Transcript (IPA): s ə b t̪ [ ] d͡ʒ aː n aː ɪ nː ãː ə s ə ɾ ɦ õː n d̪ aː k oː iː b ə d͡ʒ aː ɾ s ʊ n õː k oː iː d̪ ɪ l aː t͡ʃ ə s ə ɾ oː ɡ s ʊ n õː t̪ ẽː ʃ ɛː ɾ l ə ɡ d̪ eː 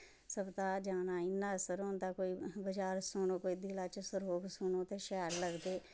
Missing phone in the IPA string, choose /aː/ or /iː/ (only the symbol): aː